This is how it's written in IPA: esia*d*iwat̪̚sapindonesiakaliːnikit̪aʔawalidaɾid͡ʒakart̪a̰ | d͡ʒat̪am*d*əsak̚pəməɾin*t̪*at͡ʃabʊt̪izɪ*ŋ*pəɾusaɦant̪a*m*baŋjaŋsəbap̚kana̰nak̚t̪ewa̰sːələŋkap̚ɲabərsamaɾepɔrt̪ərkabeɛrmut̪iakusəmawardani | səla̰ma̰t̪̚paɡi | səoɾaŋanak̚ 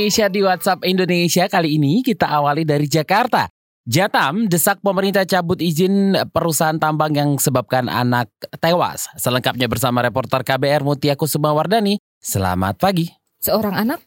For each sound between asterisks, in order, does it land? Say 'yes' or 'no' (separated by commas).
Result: yes, yes, yes, no, yes